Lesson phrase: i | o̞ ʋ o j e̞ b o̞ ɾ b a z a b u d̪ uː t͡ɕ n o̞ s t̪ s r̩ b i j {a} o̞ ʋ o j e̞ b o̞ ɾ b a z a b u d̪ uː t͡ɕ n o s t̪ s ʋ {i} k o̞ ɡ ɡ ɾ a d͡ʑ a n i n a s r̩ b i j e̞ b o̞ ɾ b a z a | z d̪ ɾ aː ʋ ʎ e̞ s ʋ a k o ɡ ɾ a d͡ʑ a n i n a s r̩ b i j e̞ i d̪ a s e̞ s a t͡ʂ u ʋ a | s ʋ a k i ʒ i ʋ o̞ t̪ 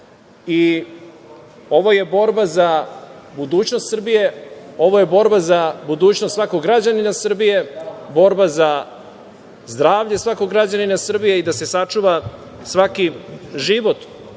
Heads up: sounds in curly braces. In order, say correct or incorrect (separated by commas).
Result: incorrect, incorrect